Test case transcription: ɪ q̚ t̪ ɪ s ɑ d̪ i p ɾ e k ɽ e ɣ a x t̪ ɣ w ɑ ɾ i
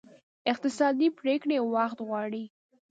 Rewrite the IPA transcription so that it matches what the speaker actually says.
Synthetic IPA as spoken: ɪ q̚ t̪ ɪ s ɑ d̪ i p ɾ e k ɽ e w a x t̪ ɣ w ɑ ɽ i